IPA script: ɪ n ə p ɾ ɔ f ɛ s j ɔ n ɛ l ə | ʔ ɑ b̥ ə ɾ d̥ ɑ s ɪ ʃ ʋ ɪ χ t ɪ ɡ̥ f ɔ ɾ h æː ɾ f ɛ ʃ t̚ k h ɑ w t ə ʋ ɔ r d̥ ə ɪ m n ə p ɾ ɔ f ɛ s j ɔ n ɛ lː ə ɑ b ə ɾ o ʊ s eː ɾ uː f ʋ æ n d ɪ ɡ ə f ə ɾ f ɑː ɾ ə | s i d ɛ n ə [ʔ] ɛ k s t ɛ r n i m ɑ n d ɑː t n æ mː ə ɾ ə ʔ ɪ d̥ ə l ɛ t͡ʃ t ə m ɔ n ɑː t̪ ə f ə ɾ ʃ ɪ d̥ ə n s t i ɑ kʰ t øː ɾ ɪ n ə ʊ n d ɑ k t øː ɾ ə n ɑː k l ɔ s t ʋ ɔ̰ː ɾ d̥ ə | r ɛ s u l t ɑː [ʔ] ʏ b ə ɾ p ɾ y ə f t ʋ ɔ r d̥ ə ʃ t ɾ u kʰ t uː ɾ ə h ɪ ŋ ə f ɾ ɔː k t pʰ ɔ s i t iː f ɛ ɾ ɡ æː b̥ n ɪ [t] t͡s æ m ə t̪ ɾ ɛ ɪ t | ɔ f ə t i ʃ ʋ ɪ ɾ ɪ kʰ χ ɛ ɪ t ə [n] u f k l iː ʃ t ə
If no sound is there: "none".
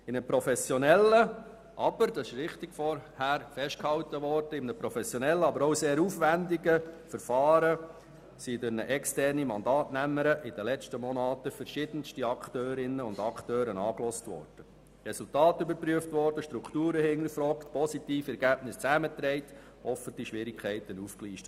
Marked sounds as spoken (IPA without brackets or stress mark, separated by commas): ʔ, t, s, n